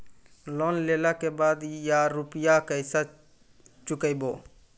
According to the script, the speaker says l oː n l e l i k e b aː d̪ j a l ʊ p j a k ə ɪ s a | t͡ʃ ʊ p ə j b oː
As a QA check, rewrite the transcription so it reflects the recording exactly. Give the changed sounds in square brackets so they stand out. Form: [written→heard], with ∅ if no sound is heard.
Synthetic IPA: l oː n l e l [i→a] k e b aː d̪ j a [l→ɾ] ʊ p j a k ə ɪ s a | t͡ʃ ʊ [p→k] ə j b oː